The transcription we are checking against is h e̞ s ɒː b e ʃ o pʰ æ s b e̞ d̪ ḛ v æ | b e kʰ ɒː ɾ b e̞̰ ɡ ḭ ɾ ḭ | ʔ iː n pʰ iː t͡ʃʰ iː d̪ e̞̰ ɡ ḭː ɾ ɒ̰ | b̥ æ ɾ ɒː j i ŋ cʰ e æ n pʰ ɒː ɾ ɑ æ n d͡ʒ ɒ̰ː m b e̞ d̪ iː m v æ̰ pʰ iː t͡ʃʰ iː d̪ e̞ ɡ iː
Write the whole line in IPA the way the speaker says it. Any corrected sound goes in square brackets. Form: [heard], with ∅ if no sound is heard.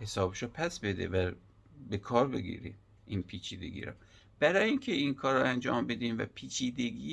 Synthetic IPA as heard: h e̞ s ɒː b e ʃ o pʰ æ s b e̞ d̪ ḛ v æ | b e kʰ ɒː ɾ b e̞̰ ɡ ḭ ɾ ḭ | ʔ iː n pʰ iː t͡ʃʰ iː d̪ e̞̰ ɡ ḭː ɾ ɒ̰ | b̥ æ ɾ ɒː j i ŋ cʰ e [i] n [kʰ] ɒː ɾ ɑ æ n d͡ʒ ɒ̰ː m b e̞ d̪ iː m v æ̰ pʰ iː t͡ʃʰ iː d̪ e̞ ɡ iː